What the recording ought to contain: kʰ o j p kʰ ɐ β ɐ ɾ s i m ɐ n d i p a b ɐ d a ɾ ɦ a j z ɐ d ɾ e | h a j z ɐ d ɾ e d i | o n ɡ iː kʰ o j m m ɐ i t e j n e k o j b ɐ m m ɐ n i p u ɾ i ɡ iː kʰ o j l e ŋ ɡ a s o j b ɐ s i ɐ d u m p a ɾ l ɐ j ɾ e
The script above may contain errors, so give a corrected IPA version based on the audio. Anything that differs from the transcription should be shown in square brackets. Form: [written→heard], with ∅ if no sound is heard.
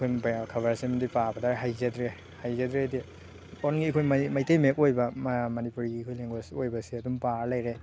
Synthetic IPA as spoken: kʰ o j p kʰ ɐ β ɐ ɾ s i m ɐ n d i p a b ɐ d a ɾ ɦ a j z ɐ d ɾ e | h a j z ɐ d ɾ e d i | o n ɡ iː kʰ o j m m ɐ [i→j] t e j [n→m] e k o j b ɐ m m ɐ n i p u ɾ i ɡ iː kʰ o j l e ŋ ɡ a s o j b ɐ s i ɐ d u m p a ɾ l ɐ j ɾ e